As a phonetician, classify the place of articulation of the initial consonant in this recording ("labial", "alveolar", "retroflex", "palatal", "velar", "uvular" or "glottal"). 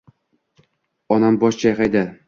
alveolar